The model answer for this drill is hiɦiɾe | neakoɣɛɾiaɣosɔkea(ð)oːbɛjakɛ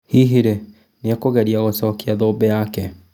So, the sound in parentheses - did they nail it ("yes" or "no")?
yes